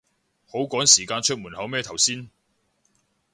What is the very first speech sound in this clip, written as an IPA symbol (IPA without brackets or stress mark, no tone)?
h